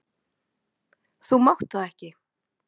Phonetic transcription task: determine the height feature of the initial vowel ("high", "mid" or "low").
high